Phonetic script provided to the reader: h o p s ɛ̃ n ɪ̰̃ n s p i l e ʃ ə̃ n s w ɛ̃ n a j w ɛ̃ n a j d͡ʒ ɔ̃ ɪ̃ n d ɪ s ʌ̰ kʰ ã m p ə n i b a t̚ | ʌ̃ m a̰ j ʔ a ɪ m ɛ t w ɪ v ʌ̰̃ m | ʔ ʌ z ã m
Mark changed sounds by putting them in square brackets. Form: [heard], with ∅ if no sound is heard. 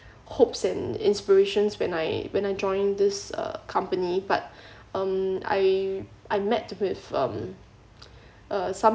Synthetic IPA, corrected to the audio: h o p s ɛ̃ n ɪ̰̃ n s p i [ɹ] e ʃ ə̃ n s w ɛ̃ n a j w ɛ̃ n a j d͡ʒ ɔ̃ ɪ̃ n d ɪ s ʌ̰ kʰ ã m p ə n i b a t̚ | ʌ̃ m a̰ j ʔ a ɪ m ɛ t w ɪ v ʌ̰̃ m | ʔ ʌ [s] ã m